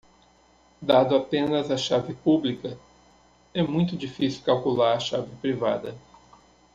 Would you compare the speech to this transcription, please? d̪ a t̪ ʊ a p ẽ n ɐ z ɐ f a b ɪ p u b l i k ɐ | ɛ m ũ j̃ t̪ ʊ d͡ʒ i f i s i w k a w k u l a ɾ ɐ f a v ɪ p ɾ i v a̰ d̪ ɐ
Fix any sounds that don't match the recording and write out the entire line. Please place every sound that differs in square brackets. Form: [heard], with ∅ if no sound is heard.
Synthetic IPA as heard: d̪ a [d̪] ʊ a p ẽ n ɐ z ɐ [ʃ] a [v] ɪ p u b l i k ɐ | ɛ m ũ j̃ t̪ ʊ d͡ʒ i f i s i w k a w k u l a ɾ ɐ [ʃ] a v ɪ p ɾ i v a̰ d̪ ɐ